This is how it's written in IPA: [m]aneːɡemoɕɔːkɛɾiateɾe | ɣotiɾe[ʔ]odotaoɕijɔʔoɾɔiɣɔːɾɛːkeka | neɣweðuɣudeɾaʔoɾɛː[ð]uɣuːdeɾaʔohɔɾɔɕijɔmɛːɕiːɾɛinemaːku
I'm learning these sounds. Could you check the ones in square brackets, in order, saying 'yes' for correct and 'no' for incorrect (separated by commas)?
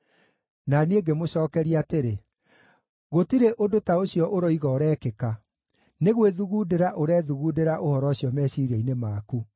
no, yes, yes